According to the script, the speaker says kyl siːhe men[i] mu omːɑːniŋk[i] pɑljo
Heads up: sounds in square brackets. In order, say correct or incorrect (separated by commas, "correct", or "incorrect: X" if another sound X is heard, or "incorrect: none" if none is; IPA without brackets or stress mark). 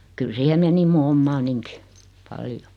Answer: correct, correct